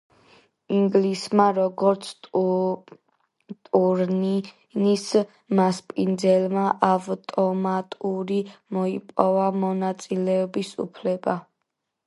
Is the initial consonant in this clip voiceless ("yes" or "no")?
no